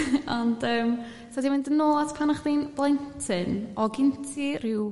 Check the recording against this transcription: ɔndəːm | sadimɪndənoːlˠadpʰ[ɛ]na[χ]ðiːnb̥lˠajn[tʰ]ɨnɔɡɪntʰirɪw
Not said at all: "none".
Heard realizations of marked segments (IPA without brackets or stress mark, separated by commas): a, χ, tʰ